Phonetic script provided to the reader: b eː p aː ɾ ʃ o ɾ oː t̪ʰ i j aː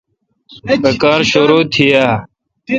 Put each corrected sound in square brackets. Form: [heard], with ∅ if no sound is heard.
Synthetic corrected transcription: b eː [k] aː ɾ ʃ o ɾ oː t̪ʰ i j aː